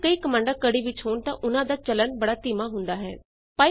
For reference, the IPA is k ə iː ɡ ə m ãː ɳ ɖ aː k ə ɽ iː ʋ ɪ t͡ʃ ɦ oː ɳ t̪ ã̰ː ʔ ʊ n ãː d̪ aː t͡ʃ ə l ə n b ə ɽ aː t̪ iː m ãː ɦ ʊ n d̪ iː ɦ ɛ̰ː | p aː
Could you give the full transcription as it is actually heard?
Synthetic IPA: k ə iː k ə m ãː ɳ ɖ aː k ə ɽ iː ʋ ɪ t͡ʃ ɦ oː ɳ t̪ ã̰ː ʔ ʊ n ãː d̪ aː t͡ʃ ə l ə n b ə ɽ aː t̪ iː m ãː ɦ ʊ n d̪ aː ɦ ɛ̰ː | p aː